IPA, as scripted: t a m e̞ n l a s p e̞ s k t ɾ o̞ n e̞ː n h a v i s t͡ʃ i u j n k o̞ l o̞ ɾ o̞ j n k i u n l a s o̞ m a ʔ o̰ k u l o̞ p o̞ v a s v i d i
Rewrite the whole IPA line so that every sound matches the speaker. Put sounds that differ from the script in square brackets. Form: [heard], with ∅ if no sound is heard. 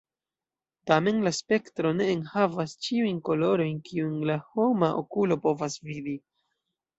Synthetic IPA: t a m e̞ n l a s p e̞ [∅] k t ɾ o̞ n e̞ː n h a v [a] s t͡ʃ i u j n k o̞ l o̞ ɾ o̞ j n k i u n l a [h] o̞ m a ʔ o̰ k u l o̞ p o̞ v a s v i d i

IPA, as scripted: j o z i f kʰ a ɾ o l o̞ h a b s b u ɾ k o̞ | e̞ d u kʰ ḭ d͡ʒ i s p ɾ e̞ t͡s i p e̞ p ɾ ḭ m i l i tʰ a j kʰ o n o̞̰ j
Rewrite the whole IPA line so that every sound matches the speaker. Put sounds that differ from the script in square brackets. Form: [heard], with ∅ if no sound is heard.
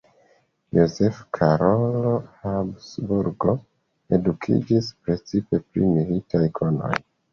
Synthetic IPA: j o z [e] f kʰ a ɾ o l o̞ h a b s b u ɾ [ɡ] o̞ | e̞ d u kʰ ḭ d͡ʒ i s p ɾ e̞ t͡s i p e̞ p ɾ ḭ m i l i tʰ a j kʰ o n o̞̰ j

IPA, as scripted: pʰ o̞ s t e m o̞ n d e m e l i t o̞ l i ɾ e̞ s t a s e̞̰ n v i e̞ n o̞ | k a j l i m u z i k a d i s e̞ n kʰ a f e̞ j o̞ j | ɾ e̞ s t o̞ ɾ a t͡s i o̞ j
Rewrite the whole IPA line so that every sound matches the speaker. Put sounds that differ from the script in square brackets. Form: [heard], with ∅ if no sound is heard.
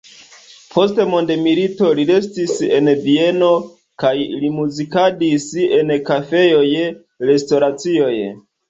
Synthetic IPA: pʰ o̞ s t e m o̞ n d e m [i] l i t o̞ l i ɾ e̞ s t [i] s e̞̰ n v i e̞ n o̞ | k a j l i m u z i k a d i s e̞ n [k] a f e̞ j o̞ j | ɾ e̞ s t o̞ ɾ a t͡s i o̞ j

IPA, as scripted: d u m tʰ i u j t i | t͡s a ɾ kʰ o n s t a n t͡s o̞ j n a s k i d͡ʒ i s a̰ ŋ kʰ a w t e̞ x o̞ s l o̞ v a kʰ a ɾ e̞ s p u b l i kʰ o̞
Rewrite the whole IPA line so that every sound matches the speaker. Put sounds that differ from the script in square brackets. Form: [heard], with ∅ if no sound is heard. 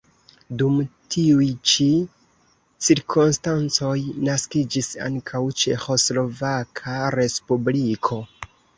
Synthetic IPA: d u m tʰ i u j [t͡ʃ] i | t͡s [i] ɾ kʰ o n s t a n t͡s o̞ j n a s k i d͡ʒ i s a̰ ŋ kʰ a w [t͡ʃ] e̞ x o̞ s l o̞ v a kʰ a ɾ e̞ s p u b l i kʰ o̞

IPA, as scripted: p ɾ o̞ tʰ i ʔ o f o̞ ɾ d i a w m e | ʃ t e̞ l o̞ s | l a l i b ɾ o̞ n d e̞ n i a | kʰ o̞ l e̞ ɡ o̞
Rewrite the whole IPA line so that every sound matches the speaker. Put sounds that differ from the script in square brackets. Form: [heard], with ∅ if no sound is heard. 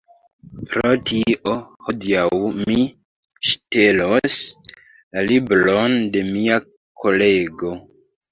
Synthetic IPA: p ɾ o̞ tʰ i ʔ o [h] o̞ [∅] d i a w m [i] | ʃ t e̞ l o̞ s | l a l i b ɾ o̞ n d e̞ [m] i a | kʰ o̞ l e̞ ɡ o̞

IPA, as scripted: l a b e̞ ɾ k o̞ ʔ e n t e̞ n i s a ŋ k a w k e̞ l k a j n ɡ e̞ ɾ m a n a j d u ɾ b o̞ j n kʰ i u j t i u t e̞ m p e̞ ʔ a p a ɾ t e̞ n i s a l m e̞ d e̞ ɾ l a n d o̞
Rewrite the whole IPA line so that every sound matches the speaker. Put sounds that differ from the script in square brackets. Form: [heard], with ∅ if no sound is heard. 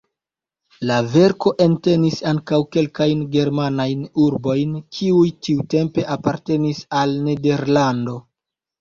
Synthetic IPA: l a [v] e̞ ɾ k o̞ ʔ e n t e̞ n i s a ŋ k a w k e̞ l k a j n ɡ e̞ ɾ m a n a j [n] u ɾ b o̞ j n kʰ i u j t i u t e̞ m p e̞ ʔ a p a ɾ t e̞ n i s a l [n] e̞ d e̞ ɾ l a n d o̞

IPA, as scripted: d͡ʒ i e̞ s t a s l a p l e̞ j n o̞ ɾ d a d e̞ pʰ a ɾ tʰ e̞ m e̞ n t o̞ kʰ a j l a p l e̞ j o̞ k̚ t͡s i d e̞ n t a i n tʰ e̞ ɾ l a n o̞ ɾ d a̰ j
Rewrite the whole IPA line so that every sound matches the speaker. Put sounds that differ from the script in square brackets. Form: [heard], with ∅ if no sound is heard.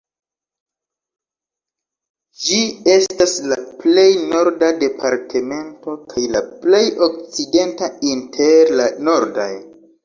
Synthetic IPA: d͡ʒ i e̞ s t a s l a p l e̞ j n o̞ ɾ d a d e̞ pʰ a ɾ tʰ e̞ m e̞ n t o̞ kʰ a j l a p l e̞ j o̞ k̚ t͡s i d e̞ n t a i n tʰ e̞ ɾ l a n o̞ ɾ d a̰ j

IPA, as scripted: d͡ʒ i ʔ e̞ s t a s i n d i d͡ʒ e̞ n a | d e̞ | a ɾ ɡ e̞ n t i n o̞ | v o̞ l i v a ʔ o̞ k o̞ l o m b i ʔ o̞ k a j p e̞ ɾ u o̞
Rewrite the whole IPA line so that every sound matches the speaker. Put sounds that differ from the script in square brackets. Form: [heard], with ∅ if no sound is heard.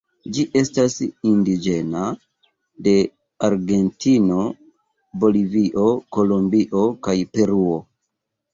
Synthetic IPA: d͡ʒ i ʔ e̞ s t a s i n d i d͡ʒ e̞ n a | d e̞ | a ɾ ɡ e̞ n t i n o̞ | [b] o̞ l i v [i] ʔ o̞ k o̞ l o m b i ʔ o̞ k a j p e̞ ɾ u o̞

